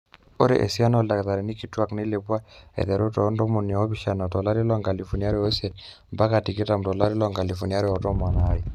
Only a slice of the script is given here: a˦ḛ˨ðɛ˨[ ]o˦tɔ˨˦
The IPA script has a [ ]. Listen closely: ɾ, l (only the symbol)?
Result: ɾ